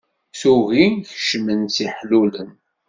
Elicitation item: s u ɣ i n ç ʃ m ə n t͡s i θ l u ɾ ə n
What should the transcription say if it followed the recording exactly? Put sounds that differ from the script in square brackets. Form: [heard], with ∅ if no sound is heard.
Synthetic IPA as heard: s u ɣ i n ç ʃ m ə n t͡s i [ħ] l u [l] ə n